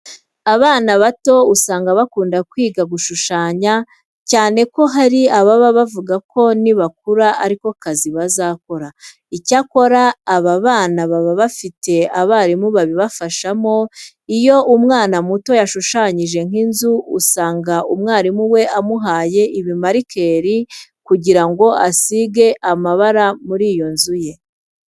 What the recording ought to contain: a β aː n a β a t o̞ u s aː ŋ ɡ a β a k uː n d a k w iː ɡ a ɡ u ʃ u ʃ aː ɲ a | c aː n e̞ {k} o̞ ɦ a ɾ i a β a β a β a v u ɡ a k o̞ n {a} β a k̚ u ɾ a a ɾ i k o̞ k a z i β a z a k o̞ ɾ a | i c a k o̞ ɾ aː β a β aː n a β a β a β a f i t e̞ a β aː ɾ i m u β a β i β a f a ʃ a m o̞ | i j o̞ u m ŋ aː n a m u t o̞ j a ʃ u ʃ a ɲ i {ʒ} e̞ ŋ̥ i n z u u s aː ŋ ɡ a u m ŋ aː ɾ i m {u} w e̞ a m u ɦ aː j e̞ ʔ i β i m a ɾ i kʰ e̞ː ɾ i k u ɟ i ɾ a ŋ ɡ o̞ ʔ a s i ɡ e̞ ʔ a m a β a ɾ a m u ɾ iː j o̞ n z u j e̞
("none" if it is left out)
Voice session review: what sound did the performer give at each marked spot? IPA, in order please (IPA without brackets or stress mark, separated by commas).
k, i, ʒ, u